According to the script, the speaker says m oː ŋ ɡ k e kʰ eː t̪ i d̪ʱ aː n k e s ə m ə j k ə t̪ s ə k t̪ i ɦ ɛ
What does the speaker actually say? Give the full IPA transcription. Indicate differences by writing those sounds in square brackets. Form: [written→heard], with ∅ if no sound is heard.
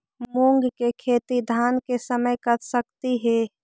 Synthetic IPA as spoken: m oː ŋ ɡ k e kʰ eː t̪ i d̪ʱ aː n k e s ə m ə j k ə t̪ s ə k t̪ i ɦ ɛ